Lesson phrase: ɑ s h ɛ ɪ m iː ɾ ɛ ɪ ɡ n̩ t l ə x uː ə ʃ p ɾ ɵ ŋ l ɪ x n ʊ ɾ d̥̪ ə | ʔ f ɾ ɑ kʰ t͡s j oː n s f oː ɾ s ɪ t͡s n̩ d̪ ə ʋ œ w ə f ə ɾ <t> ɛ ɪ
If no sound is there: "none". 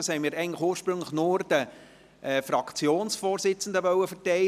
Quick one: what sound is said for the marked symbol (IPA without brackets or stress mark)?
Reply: t